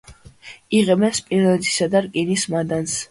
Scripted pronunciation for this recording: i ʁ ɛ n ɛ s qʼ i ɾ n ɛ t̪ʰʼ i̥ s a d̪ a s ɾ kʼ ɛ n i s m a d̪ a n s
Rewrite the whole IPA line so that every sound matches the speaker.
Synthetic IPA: i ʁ ɛ m ɛ s pʼ i ɾ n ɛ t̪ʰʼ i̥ s a d̪ a ɾ kʼ i n i s m a d̪ a n s